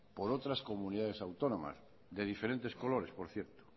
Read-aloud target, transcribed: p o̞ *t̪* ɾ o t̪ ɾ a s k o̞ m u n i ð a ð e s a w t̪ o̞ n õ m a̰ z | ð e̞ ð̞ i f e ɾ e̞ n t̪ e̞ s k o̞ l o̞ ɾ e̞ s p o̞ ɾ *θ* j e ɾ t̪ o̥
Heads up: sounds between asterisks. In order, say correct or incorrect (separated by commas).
incorrect, correct